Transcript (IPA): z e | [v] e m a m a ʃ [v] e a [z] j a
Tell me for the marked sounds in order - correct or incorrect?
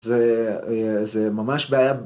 incorrect, incorrect, incorrect

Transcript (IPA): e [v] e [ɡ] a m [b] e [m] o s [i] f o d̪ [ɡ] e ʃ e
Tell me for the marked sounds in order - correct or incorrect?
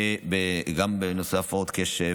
incorrect, correct, correct, incorrect, incorrect, incorrect

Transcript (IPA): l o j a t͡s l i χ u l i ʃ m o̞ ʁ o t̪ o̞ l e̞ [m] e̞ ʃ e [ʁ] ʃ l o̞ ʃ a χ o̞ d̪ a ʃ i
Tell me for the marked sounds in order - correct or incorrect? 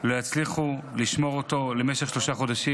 correct, incorrect

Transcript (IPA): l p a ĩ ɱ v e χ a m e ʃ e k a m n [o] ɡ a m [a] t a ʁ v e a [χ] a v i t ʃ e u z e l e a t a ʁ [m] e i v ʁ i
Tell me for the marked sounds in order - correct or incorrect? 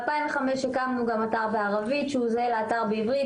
incorrect, correct, incorrect, incorrect

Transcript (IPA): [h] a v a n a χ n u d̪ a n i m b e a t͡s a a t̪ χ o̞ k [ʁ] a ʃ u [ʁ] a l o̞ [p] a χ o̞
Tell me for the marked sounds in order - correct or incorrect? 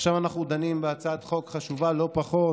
incorrect, incorrect, incorrect, correct

